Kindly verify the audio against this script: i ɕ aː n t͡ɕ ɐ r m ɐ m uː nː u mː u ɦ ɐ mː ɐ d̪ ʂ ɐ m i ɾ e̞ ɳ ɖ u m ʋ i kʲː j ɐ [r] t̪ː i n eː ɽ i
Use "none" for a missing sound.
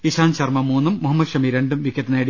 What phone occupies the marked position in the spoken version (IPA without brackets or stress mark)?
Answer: none